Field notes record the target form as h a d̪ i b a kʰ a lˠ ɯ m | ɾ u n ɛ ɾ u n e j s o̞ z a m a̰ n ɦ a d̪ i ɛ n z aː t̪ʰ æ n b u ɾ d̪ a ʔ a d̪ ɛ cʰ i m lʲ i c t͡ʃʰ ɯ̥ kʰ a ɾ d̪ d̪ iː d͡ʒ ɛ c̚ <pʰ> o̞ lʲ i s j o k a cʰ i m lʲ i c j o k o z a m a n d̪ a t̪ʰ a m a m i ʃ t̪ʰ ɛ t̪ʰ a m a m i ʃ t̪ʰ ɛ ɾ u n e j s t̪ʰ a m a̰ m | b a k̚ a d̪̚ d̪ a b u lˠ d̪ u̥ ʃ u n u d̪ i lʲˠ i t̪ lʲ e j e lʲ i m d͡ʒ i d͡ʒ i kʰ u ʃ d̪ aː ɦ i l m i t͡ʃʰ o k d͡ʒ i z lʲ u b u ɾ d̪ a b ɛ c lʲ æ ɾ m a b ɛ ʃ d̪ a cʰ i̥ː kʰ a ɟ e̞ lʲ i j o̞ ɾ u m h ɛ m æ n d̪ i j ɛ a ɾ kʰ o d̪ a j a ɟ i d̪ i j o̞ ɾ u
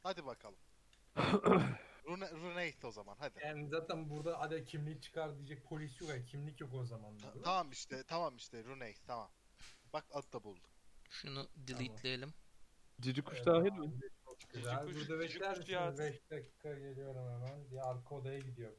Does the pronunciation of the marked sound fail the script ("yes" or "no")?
no